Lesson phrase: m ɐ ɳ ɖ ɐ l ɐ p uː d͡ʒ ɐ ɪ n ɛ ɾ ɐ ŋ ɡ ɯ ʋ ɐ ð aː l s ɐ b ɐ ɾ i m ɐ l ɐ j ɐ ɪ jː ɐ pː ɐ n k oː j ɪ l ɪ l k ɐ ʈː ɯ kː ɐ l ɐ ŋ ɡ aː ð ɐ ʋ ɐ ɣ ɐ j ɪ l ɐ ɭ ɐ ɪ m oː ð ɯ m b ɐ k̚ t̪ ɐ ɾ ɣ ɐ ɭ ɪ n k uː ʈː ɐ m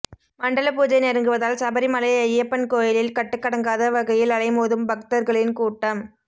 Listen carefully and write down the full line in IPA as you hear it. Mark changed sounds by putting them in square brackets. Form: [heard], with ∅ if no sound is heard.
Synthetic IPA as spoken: m ɐ ɳ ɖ ɐ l ɐ p uː d͡ʒ ɐ ɪ n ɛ ɾ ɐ ŋ ɡ ɯ ʋ ɐ ð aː l s ɐ b ɐ ɾ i m ɐ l ɐ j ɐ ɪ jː ɐ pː ɐ n k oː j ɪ l ɪ l k ɐ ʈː ɯ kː ɐ [ɽ] ɐ ŋ ɡ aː ð ɐ ʋ ɐ ɣ ɐ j ɪ l ɐ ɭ ɐ ɪ m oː ð ɯ m b ɐ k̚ t̪ ɐ ɾ ɣ ɐ ɭ ɪ n k uː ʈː ɐ m